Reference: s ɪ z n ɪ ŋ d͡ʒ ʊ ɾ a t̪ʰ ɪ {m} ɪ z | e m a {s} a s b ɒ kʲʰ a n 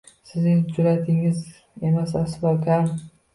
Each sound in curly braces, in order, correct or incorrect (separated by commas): incorrect, correct